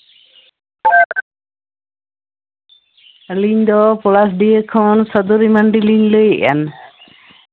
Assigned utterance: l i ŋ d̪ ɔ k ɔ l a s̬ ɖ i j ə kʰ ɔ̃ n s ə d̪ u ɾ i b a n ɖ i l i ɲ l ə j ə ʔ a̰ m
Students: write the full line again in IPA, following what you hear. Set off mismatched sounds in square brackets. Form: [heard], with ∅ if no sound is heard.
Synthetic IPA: l i [ɲ] d̪ ɔ [p] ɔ l a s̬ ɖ i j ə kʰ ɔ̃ n s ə d̪ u ɾ i [m] a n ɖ i l i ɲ l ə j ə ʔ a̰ [n]